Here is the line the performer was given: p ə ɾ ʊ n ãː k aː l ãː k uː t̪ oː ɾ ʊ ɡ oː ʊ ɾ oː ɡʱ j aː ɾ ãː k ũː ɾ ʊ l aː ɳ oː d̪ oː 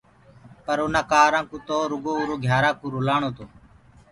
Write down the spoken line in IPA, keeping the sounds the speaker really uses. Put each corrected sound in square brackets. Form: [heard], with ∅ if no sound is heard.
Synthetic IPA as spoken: p ə ɾ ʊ n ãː k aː [ɾ] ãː k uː t̪ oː ɾ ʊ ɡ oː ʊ ɾ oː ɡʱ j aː ɾ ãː k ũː ɾ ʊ l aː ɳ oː [t̪] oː